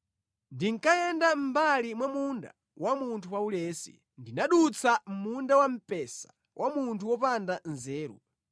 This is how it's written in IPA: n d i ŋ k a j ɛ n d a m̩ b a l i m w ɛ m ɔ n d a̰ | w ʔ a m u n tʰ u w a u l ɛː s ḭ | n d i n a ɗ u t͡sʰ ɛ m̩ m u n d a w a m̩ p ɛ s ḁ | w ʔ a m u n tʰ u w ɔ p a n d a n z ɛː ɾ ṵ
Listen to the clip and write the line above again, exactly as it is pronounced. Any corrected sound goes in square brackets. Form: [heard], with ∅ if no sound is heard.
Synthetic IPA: n d i ŋ k a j ɛ n d a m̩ b a l i m w [a] m [u] n d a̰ | w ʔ a m u n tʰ u w a u l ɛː s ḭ | n d i n a ɗ u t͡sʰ [a] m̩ m u n d a w a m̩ p ɛ s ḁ | w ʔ a m u n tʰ u w ɔ p a n d a n z ɛː ɾ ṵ